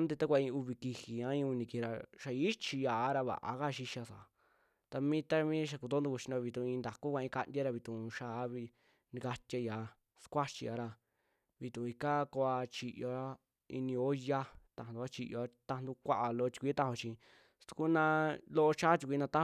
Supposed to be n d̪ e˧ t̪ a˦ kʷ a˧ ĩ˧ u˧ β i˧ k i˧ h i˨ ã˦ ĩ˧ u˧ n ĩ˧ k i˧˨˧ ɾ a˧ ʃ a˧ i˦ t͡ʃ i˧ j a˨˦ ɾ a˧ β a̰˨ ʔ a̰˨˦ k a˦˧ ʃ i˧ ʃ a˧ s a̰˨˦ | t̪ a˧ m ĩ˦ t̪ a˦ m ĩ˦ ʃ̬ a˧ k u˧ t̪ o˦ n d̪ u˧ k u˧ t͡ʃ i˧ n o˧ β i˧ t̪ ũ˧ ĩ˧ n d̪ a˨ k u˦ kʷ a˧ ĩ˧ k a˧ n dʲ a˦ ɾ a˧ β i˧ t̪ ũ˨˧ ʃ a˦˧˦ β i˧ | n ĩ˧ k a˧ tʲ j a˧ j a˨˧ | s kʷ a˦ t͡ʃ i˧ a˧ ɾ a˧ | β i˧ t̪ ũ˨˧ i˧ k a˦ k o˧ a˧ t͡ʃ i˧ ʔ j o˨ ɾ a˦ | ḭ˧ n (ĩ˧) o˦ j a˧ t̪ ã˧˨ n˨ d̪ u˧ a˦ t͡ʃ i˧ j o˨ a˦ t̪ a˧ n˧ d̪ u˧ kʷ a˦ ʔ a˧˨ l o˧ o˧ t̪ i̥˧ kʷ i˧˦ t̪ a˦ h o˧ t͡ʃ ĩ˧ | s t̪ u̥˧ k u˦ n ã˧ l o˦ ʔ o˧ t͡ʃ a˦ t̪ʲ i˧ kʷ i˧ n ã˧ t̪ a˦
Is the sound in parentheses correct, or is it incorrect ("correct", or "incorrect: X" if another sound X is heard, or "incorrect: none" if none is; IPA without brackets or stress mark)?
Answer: correct